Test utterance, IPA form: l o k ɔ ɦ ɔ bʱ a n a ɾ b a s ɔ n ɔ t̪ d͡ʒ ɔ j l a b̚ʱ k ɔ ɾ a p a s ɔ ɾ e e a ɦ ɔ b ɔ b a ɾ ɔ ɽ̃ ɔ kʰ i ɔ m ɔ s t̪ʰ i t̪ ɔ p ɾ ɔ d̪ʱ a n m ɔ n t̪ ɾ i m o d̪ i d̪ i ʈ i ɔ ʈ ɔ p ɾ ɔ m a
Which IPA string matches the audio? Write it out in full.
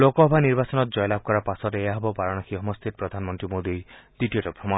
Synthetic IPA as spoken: l o k ɔ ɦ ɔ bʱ a n i ɾ b a s ɔ n ɔ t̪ d͡ʒ ɔ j l a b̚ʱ k ɔ ɾ a p a s ɔ ɾ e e a ɦ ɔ b ɔ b a ɾ ɔ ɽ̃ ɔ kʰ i ɔ m ɔ s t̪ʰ i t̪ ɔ p ɾ ɔ d̪ʱ a n m ɔ n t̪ ɾ i m o d̪ i d̪ i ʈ i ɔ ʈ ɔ p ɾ ɔ m a